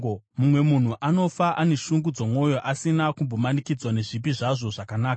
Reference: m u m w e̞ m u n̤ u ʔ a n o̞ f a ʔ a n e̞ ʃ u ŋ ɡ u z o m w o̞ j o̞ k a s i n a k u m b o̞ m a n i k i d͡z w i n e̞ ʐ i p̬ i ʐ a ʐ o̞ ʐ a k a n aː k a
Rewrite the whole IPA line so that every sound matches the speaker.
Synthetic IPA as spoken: m u m w e̞ m u n̤ u ʔ a n o̞ f a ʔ a n e̞ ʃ u ŋ ɡ u d͡z o m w o̞ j o̞ ʔ a s i n a k u m b o̞ m a n i k i d͡z w a n e̞ ʐ i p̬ i ʐ a ʐ o̞ ʐ a k a n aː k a